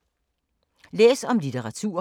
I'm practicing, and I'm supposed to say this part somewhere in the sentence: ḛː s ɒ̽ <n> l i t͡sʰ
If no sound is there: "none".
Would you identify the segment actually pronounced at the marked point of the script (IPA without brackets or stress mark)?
m